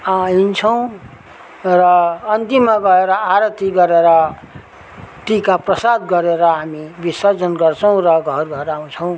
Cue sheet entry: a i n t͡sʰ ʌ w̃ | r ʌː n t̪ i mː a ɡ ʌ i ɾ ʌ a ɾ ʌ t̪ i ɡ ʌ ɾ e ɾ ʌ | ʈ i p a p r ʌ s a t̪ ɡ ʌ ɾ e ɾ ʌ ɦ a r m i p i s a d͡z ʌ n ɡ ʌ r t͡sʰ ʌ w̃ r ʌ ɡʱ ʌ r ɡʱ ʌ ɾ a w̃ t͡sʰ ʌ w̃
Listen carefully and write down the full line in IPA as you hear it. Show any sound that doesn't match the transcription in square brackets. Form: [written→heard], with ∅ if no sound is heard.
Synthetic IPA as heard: a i n t͡sʰ ʌ w̃ | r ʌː n t̪ i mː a ɡ ʌ [i→e] ɾ ʌ a ɾ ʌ t̪ i ɡ ʌ ɾ e ɾ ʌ | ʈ i [p→k] a p r ʌ s a [t̪→d̪] ɡ ʌ ɾ e ɾ ʌ ɦ a [r→∅] m i [p→b] i s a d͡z ʌ n ɡ ʌ r t͡sʰ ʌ w̃ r ʌ ɡʱ ʌ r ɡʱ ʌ ɾ a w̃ t͡sʰ ʌ w̃